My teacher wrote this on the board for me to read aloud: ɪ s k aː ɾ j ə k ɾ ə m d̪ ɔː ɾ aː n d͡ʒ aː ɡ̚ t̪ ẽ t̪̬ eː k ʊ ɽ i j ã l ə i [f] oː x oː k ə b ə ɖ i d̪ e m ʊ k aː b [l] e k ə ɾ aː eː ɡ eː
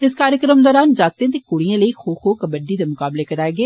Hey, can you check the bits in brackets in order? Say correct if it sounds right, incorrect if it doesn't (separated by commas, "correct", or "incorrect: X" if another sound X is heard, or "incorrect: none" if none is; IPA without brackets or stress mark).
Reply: incorrect: x, correct